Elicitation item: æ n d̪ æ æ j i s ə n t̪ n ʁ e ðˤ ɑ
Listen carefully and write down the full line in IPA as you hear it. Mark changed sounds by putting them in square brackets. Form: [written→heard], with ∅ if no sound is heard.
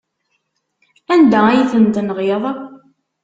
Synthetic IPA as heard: æ n d̪ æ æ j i [s→θ] ə n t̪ n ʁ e ðˤ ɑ